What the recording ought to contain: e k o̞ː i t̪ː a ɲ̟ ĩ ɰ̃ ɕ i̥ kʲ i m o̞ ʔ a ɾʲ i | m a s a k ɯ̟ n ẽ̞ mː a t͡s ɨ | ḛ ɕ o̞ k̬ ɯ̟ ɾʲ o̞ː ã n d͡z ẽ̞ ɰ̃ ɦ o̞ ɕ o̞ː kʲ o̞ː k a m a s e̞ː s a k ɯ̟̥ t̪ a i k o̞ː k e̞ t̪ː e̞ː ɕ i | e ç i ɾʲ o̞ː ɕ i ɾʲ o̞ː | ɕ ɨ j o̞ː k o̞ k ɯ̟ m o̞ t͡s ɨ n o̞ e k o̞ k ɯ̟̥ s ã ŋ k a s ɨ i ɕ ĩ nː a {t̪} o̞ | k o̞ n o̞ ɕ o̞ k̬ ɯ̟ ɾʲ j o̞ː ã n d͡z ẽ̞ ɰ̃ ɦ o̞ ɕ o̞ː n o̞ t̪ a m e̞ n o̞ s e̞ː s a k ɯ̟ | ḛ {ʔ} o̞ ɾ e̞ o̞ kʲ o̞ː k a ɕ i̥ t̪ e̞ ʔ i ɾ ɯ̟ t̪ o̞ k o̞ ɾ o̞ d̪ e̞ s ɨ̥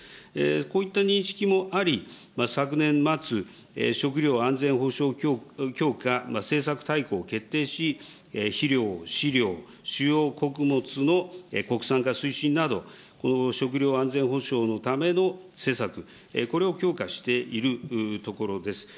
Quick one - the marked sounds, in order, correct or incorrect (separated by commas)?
incorrect, incorrect